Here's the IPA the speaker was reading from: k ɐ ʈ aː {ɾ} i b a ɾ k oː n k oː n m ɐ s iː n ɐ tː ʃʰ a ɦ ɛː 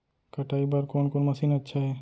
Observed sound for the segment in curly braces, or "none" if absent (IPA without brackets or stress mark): none